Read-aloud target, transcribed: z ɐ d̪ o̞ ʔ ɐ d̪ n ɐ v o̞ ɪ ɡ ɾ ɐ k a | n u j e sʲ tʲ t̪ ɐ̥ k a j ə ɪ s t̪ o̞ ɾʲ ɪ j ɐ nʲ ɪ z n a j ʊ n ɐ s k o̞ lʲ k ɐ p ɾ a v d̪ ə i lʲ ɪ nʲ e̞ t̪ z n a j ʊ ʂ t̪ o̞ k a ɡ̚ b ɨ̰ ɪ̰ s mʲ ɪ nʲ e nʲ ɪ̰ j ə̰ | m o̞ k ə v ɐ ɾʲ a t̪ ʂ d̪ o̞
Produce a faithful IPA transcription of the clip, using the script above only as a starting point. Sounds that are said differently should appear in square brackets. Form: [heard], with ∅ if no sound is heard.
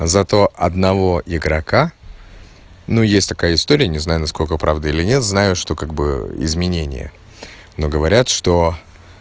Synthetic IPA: z ɐ [t̪] o̞ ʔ ɐ d̪ n ɐ v o̞ ɪ ɡ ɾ ɐ k a | n u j e sʲ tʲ t̪ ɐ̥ k a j ə ɪ s t̪ o̞ ɾʲ ɪ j [ə] nʲ ɪ z n a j ʊ n ɐ s k o̞ lʲ k [ə] p ɾ a v d̪ ə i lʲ ɪ nʲ e̞ t̪ z n a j ʊ ʂ t̪ o̞ k a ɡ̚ b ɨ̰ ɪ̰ [z] mʲ ɪ nʲ e nʲ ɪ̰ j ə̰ | [n] o̞ [ɡ] ə v ɐ ɾʲ a t̪ ʂ [t̪] o̞

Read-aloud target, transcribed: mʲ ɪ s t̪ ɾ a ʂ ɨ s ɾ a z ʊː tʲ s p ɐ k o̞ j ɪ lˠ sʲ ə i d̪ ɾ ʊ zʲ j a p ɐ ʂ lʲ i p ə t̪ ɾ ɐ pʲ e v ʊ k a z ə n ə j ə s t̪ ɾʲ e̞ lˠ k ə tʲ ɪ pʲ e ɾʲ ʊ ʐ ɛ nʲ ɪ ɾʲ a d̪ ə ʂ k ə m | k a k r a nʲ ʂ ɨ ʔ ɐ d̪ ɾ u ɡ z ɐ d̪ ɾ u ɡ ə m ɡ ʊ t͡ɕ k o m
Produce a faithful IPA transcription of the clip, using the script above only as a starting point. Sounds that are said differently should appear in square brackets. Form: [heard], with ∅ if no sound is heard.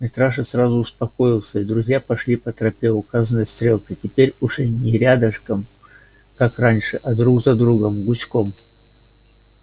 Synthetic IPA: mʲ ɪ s t̪ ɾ a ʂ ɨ s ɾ a z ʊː [∅] s p ɐ k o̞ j ɪ lˠ sʲ ə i d̪ ɾ ʊ zʲ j a p ɐ ʂ lʲ i p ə t̪ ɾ ɐ pʲ e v ʊ k a z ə n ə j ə s t̪ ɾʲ e̞ lˠ k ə tʲ ɪ pʲ e ɾʲ ʊ ʐ ɛ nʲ ɪ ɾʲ a d̪ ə ʂ k ə m | k a k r a nʲ ʂ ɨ ʔ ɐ d̪ ɾ u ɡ z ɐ d̪ ɾ u ɡ ə m ɡ ʊ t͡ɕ k o m

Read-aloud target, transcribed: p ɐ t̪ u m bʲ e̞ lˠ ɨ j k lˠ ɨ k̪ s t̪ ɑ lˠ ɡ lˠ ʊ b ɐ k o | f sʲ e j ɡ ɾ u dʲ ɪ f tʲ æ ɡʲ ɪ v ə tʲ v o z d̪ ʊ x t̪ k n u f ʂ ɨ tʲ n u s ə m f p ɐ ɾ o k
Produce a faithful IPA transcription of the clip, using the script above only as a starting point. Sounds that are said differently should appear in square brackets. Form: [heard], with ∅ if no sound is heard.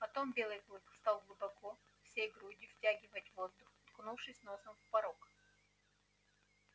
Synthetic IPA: p ɐ t̪ [o] m bʲ e̞ lˠ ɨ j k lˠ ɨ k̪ s t̪ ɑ lˠ ɡ lˠ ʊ b ɐ k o | f sʲ e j ɡ ɾ u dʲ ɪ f tʲ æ ɡʲ ɪ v ə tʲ v o z d̪ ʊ x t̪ k n u f ʂ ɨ [sʲ] n [o] s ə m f p ɐ ɾ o k

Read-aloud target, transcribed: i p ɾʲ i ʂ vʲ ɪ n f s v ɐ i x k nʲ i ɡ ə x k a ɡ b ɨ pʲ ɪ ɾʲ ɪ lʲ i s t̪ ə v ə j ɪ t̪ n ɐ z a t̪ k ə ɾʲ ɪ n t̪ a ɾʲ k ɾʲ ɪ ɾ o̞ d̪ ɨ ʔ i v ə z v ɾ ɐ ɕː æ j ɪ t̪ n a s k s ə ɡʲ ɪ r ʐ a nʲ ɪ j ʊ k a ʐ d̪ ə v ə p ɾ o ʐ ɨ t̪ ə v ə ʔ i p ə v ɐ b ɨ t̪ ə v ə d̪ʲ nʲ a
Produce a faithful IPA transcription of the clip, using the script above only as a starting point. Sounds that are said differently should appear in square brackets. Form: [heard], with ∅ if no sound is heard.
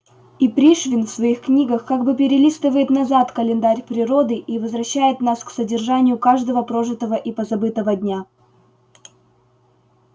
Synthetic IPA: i p ɾʲ i ʂ vʲ ɪ n f s v ɐ i x k nʲ i ɡ ə x k a ɡ b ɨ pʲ ɪ ɾʲ ɪ lʲ i s t̪ ə v ə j ɪ t̪ n ɐ z a t̪ k ə [lʲ] ɪ n [d̪] a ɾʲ [p] ɾʲ ɪ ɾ o̞ d̪ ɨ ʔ i v ə z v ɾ ɐ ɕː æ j ɪ t̪ n a s k s ə [dʲ] ɪ r ʐ a nʲ ɪ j ʊ k a ʐ d̪ ə v ə p ɾ o ʐ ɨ t̪ ə v ə ʔ i p ə [z] ɐ b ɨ t̪ ə v ə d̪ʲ nʲ a

